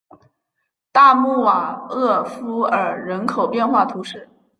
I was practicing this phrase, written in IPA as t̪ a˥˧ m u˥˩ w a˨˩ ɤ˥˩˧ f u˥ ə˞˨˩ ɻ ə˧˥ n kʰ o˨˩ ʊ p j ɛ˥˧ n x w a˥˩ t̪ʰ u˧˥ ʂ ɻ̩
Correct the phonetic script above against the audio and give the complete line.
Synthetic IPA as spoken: t̪ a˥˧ m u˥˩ w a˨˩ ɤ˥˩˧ f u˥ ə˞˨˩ ɻ ə˧˥ n kʰ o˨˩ ʊ p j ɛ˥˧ n x w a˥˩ t̪ʰ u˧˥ ʂ ɻ̩